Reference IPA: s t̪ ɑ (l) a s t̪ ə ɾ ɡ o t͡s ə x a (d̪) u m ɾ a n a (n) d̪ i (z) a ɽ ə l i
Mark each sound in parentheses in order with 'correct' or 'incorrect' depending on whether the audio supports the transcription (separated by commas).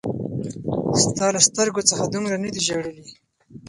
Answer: correct, correct, incorrect, incorrect